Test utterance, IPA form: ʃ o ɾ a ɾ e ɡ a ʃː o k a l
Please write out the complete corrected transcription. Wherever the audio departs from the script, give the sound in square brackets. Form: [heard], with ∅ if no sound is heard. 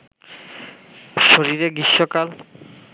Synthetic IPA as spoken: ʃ o ɾ [i] ɾ e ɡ [i] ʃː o k a l